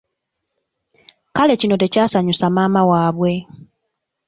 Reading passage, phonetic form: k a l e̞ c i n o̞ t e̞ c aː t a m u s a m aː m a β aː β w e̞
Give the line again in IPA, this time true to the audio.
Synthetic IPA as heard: k a l e̞ c i n o̞ t e̞ c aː s a ɲ u s a m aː m a w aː β w e̞